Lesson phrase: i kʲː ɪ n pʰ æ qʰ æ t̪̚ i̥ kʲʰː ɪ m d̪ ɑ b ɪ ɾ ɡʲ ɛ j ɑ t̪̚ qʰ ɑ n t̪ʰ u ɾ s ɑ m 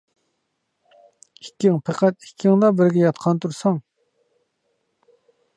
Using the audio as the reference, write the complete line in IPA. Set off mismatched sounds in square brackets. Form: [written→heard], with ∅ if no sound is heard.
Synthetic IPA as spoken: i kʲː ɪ [n→ŋ] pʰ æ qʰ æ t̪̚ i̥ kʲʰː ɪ [m→ŋ] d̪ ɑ b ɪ ɾ ɡʲ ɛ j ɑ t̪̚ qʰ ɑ n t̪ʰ u ɾ s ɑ [m→ŋ]

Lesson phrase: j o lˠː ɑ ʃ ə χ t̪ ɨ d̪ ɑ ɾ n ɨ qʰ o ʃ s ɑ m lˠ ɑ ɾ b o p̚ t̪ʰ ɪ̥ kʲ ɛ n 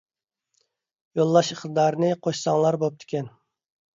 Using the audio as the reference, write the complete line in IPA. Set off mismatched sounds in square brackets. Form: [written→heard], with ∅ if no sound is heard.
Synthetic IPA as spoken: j o lˠː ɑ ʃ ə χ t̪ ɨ d̪ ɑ ɾ n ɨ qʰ o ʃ s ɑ [m→ŋ] lˠ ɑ ɾ b o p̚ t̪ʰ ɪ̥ kʲ ɛ n

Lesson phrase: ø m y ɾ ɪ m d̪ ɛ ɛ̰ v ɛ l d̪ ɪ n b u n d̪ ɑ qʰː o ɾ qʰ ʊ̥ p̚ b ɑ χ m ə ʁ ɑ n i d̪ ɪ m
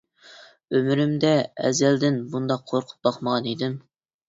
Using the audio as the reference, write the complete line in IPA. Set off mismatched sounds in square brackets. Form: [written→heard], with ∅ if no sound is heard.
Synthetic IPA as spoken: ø m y ɾ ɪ m d̪ ɛ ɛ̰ [v→z] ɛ l d̪ ɪ n b u n d̪ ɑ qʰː o ɾ qʰ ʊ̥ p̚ b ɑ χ m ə ʁ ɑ n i d̪ ɪ m

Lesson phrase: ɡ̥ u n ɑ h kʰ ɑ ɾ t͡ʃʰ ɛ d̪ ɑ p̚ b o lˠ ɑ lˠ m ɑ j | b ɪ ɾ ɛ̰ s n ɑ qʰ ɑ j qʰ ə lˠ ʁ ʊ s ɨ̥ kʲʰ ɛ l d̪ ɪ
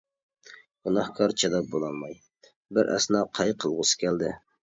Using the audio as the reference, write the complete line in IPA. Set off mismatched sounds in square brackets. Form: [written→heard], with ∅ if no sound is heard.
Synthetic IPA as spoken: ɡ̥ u n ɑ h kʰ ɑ ɾ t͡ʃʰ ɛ d̪ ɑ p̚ b o lˠ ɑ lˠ m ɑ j | b ɪ ɾ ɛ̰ s n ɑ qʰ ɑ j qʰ ə lˠ ʁ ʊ s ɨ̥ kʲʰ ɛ l d̪ ɪ

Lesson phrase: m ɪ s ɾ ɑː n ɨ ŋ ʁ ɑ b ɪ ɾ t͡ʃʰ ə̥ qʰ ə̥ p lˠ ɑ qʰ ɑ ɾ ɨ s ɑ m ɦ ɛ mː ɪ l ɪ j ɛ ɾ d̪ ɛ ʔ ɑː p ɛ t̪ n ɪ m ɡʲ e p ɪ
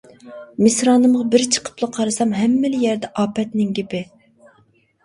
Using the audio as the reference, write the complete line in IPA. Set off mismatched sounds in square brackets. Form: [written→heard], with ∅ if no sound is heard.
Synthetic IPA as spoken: m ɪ s ɾ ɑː n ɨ [ŋ→m] ʁ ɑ b ɪ ɾ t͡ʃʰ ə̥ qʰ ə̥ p lˠ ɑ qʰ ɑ ɾ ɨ s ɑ m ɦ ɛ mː ɪ l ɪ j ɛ ɾ d̪ ɛ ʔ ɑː p ɛ t̪ n ɪ [m→ŋ] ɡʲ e p ɪ

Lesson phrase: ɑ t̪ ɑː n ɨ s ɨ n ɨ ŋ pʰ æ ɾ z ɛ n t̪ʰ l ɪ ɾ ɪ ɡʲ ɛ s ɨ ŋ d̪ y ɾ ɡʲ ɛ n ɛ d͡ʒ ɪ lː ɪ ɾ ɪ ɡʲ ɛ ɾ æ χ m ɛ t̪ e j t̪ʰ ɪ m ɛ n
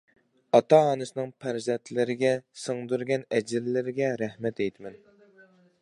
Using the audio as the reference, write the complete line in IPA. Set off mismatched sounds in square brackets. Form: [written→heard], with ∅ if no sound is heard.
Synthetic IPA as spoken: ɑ t̪ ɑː n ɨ s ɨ n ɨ ŋ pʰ æ ɾ z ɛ n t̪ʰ l ɪ ɾ ɪ ɡʲ ɛ s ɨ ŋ d̪ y ɾ ɡʲ ɛ n ɛ d͡ʒ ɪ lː ɪ ɾ ɪ ɡʲ ɛ ɾ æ [χ→h] m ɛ t̪ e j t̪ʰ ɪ m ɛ n

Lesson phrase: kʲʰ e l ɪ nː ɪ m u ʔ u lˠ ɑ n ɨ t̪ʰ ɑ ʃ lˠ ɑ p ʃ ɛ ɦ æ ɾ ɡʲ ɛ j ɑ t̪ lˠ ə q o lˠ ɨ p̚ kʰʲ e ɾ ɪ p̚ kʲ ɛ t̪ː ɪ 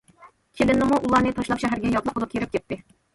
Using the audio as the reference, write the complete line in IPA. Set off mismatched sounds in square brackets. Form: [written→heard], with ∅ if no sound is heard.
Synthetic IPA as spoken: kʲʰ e l ɪ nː ɪ m u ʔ u lˠ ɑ n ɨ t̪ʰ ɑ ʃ lˠ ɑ p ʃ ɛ ɦ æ ɾ ɡʲ ɛ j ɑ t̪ lˠ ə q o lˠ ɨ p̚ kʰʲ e ɾ ɪ p̚ kʲ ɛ t̪ː ɪ

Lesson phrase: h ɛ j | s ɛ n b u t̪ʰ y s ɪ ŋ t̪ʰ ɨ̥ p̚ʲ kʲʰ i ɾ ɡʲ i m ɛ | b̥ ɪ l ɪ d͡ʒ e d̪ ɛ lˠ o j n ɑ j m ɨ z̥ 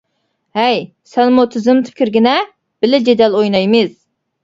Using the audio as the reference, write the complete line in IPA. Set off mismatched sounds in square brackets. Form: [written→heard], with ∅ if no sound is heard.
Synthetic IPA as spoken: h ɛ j | s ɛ n [b→m] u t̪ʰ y [s→z] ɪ [ŋ→m] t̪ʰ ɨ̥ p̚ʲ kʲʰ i ɾ ɡʲ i [m→n] ɛ | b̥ ɪ l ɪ d͡ʒ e d̪ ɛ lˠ o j n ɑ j m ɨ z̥

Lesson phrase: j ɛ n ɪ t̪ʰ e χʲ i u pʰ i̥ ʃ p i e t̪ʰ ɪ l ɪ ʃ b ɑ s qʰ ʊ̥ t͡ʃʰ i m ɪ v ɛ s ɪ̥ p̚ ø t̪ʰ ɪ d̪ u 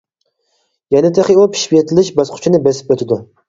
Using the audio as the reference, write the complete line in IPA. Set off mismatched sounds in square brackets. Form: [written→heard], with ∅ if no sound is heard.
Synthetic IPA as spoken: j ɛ n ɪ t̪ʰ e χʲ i u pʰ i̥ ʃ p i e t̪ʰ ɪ l ɪ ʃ b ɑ s qʰ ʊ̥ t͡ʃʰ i [m→n] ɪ [v→b] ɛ s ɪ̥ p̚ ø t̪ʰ ɪ d̪ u

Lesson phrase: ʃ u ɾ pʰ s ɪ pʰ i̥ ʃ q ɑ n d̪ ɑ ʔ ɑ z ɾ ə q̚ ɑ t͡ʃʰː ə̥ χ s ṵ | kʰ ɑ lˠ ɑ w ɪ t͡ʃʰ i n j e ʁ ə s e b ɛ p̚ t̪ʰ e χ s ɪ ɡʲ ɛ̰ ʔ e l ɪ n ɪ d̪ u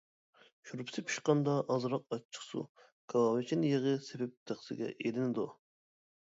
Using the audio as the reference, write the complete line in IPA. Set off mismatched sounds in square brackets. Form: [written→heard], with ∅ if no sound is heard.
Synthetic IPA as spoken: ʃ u ɾ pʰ s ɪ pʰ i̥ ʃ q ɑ n d̪ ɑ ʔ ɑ z ɾ [ə→ɑ] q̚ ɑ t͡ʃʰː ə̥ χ s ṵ | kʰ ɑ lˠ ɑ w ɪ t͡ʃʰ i n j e ʁ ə s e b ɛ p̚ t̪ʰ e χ s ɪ ɡʲ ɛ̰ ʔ e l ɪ n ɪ d̪ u

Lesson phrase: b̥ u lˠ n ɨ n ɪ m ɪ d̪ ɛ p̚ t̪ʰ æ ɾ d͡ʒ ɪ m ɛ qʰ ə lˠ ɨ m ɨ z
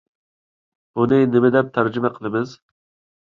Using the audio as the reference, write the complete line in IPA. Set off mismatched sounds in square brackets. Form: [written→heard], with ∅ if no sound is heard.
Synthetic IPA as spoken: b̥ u [lˠ→∅] n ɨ n ɪ m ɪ d̪ ɛ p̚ t̪ʰ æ ɾ d͡ʒ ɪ m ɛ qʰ ə lˠ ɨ m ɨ z

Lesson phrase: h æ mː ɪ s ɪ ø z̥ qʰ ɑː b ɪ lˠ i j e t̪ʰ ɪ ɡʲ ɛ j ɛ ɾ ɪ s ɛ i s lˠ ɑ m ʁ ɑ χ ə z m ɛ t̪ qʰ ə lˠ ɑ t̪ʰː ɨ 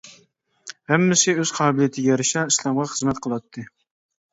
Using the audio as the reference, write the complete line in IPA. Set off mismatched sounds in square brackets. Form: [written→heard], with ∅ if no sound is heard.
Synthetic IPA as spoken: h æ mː ɪ s ɪ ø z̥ qʰ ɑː b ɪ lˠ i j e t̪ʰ ɪ ɡʲ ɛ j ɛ ɾ ɪ [s→ʃ] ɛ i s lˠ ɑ m ʁ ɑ χ ə z m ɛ t̪ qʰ ə lˠ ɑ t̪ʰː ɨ

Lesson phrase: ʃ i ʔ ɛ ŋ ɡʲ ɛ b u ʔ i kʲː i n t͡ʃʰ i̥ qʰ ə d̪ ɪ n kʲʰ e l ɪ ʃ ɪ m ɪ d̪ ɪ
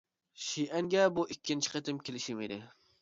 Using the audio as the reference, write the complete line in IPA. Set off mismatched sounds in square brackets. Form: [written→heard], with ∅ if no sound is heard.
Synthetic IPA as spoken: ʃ i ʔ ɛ ŋ ɡʲ ɛ b u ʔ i kʲː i n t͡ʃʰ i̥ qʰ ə [d̪→t̪] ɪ [n→m] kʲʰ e l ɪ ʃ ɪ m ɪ d̪ ɪ

